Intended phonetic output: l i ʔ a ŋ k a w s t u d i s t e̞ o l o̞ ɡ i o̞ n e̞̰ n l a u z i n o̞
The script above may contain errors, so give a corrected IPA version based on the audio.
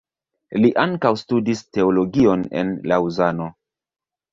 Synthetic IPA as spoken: l i ʔ a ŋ k a w s t u d i s t e̞ o l o̞ ɡ i o̞ n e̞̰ n l a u z a n o̞